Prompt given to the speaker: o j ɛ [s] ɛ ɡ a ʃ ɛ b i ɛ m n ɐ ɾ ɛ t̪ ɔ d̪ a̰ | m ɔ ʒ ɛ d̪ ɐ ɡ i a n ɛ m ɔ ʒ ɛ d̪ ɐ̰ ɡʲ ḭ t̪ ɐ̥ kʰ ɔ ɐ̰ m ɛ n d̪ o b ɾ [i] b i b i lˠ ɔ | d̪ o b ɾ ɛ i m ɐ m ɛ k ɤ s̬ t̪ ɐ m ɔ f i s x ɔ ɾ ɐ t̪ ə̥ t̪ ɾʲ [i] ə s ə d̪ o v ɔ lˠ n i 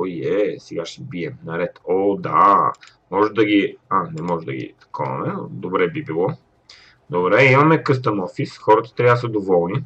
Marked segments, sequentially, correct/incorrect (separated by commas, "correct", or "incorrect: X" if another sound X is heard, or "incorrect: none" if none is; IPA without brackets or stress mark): correct, incorrect: ɛ, incorrect: a